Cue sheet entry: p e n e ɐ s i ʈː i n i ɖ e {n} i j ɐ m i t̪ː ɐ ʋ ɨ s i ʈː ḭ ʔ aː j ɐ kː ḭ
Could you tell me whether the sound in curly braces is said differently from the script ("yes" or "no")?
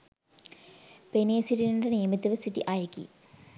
no